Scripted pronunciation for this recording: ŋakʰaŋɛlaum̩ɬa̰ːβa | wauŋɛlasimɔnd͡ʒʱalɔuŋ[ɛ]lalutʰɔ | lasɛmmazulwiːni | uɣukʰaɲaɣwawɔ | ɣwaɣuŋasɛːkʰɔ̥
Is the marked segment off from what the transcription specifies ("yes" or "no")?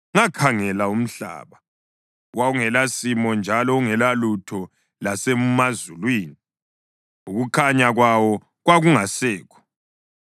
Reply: no